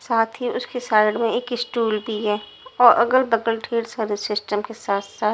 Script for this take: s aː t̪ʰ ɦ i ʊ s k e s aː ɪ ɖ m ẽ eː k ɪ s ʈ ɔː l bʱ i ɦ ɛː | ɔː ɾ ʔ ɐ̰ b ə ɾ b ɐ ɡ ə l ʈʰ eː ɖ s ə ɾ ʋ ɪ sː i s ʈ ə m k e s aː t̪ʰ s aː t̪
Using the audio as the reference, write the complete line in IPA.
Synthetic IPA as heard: s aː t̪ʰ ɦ i ʊ s k e s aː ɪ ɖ m ẽ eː k ɪ s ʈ uː l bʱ i ɦ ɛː | ɔː ɾ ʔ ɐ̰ ɡ ə l b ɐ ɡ ə l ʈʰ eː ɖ s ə ɾ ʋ ɪ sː ɪ s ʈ ə m k e s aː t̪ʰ s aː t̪